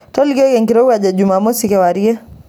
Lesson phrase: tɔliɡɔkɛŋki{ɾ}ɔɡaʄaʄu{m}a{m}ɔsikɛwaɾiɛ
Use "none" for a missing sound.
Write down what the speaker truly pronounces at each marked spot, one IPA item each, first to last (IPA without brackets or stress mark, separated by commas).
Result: ɾ, m, m